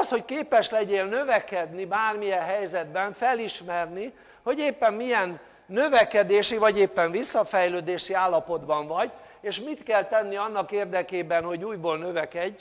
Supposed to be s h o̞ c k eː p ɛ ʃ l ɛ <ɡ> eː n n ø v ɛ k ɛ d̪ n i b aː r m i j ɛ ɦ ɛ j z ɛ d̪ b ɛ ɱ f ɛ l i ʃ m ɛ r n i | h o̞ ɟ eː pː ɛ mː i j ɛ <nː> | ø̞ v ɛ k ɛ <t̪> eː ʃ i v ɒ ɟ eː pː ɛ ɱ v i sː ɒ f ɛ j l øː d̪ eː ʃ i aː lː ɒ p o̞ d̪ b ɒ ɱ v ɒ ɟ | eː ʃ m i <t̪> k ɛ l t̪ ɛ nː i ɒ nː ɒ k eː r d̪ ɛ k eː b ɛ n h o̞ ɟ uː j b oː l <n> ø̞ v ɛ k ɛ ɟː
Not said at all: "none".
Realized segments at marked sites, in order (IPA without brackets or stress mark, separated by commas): ɟ, nː, d̪, t̪, n